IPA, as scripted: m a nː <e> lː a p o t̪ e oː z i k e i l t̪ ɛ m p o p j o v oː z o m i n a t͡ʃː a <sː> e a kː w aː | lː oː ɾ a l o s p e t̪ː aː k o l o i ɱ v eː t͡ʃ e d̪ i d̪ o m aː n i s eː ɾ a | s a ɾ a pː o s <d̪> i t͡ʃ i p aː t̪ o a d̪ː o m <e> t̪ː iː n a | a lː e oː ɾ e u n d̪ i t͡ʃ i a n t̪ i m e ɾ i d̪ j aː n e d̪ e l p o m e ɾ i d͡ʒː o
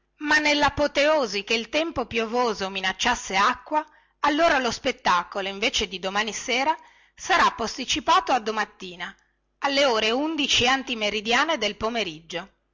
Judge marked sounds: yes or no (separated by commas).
yes, yes, no, no